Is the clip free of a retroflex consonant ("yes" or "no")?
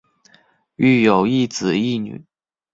yes